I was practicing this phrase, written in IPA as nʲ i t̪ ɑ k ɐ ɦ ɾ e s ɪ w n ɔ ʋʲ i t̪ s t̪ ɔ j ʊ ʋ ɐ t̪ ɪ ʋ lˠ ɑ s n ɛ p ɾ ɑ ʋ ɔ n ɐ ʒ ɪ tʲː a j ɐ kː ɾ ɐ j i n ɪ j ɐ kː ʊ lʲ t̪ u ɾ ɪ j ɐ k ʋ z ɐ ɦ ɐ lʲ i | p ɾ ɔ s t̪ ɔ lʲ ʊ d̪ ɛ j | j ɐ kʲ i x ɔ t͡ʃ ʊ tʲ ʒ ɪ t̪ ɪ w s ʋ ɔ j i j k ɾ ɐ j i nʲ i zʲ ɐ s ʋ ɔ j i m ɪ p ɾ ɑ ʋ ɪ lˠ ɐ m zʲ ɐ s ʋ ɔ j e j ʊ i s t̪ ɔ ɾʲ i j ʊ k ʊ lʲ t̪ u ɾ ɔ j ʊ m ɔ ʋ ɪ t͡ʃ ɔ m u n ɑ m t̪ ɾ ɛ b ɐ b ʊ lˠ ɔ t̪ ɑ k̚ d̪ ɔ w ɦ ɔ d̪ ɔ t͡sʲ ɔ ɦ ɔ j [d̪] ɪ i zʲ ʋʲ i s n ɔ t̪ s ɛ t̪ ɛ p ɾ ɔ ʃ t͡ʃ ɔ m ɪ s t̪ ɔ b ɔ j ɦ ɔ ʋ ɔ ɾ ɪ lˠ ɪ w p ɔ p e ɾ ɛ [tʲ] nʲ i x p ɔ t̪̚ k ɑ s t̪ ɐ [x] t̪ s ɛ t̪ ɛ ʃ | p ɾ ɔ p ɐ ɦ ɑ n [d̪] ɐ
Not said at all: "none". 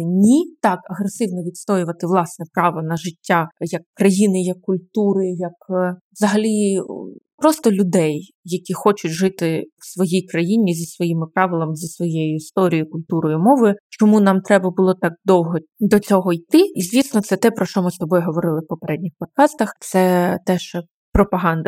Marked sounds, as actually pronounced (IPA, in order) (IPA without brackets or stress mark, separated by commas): t̪, dʲ, x, d̪